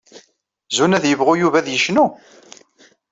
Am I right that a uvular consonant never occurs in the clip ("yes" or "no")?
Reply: no